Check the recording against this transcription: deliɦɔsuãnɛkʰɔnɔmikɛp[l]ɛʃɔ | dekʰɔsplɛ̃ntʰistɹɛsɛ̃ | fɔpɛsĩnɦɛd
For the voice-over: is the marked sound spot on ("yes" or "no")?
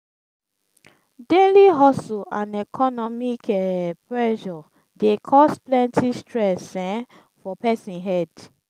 no